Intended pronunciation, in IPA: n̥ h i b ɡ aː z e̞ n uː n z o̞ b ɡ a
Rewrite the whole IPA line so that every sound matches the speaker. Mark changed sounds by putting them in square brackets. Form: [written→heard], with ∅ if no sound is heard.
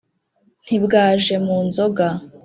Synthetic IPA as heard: n̥ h i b ɡ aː [z→ʒ] e̞ [n→m] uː n z o̞ [b→∅] ɡ a

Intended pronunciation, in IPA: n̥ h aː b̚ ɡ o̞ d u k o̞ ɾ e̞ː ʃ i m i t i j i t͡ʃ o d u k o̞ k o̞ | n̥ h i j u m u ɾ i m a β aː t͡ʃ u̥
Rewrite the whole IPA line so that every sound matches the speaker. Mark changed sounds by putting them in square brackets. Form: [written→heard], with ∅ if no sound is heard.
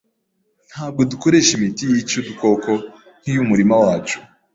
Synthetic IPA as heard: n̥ h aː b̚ ɡ o̞ d u k o̞ ɾ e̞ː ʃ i m i t i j i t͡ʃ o d u k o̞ k o̞ | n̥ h i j u m u ɾ i m a [β→w] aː t͡ʃ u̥

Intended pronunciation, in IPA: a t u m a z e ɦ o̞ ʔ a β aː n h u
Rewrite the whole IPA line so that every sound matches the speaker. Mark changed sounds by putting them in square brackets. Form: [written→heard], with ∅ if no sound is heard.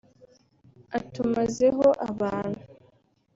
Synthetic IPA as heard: a t u m a z e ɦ o̞ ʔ a β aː n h u

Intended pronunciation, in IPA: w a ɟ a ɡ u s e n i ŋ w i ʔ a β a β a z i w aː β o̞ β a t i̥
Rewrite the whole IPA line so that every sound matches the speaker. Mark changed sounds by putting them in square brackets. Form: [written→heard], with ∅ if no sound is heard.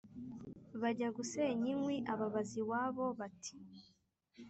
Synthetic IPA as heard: [w→β] a ɟ a ɡ u s e [n→ɲ] i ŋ w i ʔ a β a β a z i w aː β o̞ β a t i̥

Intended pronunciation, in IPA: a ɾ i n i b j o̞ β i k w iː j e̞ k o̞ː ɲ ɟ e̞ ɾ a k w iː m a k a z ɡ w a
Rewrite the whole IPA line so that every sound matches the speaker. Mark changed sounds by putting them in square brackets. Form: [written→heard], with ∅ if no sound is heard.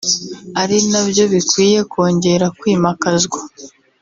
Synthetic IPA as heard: a ɾ i n [i→a] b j o̞ β i k w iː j e̞ k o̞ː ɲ ɟ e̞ ɾ a k w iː m a k a z ɡ w a

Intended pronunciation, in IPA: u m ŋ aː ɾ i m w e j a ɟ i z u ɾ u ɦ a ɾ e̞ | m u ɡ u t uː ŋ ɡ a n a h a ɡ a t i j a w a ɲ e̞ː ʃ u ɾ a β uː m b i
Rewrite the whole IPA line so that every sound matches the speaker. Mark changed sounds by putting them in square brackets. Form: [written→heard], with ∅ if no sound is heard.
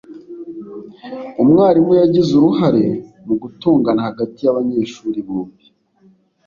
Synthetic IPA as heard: u m ŋ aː ɾ i m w e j a ɟ i z u ɾ u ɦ a ɾ e̞ | m u ɡ u t uː ŋ ɡ a n a h a ɡ a t i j a [w→β] a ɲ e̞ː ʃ u ɾ [a→i] β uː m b i

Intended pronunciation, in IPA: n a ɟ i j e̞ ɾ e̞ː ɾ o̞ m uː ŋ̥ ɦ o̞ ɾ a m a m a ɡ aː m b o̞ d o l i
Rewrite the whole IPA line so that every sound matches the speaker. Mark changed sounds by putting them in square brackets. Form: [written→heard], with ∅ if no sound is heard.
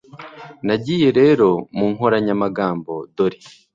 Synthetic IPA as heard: n a ɟ i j e̞ ɾ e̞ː ɾ o̞ m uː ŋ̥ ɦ o̞ ɾ a [m→ɲ] a m a ɡ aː m b o̞ d o [l→ɾ] i

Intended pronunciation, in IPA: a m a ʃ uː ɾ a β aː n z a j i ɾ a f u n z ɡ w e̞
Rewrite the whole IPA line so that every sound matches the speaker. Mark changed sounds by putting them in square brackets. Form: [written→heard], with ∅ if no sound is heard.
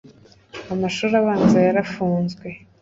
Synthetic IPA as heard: a m a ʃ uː ɾ a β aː n z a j [i→a] ɾ a f [u→uː] n z ɡ w e̞

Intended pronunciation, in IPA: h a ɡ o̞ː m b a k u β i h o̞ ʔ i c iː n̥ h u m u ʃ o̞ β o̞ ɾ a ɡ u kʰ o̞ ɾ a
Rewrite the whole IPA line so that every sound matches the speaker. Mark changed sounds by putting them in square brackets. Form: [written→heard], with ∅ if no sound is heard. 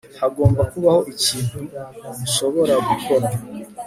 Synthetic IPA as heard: h a ɡ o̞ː m b a k u β [i→a] h o̞ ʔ i c iː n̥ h u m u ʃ o̞ β o̞ ɾ a ɡ u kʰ o̞ ɾ a

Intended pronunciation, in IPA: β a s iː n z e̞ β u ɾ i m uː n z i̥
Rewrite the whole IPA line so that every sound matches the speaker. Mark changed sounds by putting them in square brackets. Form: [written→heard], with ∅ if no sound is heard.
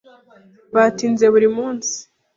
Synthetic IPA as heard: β a [s→t] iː n z e̞ β u ɾ i m uː n [z→s] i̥

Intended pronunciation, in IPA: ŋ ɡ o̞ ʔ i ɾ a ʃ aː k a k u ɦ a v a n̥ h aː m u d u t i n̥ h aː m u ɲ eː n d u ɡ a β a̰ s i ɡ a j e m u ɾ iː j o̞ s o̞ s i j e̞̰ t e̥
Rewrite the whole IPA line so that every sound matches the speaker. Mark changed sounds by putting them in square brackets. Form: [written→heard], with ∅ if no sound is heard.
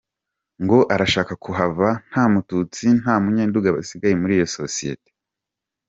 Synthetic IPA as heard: ŋ ɡ o̞ ʔ [i→a] ɾ a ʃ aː k a k u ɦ a v a n̥ h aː m u [d→t] u [t→t͡s] i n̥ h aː m u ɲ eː n d u ɡ a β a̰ s i ɡ a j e m u ɾ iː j o̞ s o̞ s i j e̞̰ t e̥

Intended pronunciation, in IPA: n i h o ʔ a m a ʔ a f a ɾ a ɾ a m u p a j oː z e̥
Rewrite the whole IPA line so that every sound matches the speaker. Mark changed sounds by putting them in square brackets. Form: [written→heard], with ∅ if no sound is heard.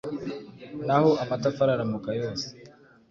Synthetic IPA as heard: n [i→a] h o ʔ a m a [ʔ→t] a f a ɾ a ɾ a m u [p→k] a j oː [z→s] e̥

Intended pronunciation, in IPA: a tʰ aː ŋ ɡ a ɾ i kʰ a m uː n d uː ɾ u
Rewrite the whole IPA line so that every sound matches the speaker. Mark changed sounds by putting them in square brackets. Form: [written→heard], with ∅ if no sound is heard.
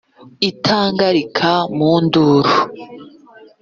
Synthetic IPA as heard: [a→i] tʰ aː ŋ ɡ a ɾ i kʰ a m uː n d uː ɾ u

